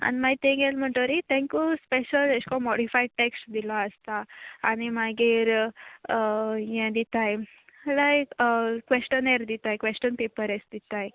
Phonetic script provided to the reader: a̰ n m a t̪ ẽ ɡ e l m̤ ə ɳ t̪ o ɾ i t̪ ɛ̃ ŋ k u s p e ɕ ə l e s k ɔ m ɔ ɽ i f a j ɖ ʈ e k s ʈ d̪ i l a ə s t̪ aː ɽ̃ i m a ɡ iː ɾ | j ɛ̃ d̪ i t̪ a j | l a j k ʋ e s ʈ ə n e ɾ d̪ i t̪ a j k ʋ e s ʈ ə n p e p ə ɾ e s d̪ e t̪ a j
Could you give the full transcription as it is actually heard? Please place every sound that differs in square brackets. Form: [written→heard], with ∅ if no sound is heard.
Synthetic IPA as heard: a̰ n m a t̪ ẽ ɡ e l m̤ ə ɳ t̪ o ɾ i t̪ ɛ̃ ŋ k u s p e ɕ ə l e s k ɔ m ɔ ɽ i f a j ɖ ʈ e k s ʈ d̪ i l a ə s t̪ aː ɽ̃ i m a ɡ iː ɾ | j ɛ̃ d̪ i t̪ a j | l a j k ʋ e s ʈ ə n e ɾ d̪ i t̪ a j k ʋ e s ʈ ə n p e p ə ɾ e s d̪ [e→i] t̪ a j